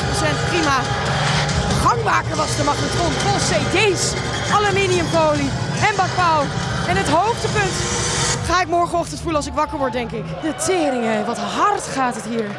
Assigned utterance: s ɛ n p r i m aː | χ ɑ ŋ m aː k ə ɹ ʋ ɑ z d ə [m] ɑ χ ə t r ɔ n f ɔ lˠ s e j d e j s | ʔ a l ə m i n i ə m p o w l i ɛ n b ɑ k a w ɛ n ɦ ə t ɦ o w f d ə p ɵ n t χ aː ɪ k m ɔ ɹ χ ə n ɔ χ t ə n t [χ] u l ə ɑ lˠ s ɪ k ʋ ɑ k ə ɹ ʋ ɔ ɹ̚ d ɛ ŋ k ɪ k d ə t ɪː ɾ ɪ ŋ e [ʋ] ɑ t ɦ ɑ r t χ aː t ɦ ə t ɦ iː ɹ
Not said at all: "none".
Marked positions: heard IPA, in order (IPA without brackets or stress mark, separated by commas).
m, f, ʋ